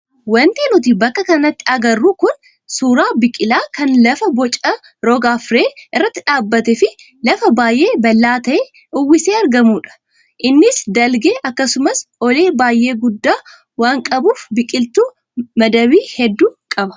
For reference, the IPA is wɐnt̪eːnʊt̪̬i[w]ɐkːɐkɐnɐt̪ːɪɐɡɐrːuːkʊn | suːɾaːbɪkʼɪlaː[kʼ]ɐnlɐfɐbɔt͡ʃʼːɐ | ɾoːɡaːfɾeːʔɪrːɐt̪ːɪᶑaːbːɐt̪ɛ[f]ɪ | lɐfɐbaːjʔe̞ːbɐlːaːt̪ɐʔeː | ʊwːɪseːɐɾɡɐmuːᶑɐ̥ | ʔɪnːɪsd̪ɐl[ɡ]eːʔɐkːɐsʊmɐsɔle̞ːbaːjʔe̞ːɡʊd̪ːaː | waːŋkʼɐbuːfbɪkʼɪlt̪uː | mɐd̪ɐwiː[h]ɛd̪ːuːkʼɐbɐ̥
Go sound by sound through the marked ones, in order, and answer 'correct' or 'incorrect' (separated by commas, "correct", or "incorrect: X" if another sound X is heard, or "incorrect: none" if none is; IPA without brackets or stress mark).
incorrect: b, incorrect: k, correct, correct, correct